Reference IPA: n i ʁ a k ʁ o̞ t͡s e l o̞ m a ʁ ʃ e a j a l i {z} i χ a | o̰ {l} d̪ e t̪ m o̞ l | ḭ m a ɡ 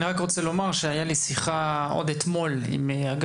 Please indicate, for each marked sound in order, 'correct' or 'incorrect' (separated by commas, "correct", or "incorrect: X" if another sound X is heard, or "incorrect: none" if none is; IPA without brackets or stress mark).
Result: incorrect: s, incorrect: none